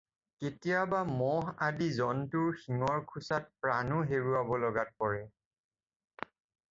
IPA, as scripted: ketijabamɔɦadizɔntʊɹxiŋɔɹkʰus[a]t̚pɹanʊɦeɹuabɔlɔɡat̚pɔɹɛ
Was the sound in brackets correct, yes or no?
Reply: yes